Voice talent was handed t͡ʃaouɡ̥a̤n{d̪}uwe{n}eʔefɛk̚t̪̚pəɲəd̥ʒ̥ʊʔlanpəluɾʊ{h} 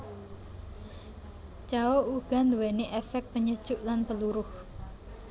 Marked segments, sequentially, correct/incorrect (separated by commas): correct, correct, correct